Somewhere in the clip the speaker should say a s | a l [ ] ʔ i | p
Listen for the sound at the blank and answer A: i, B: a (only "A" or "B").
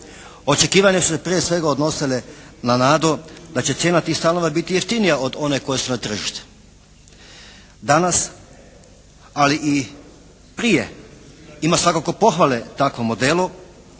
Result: A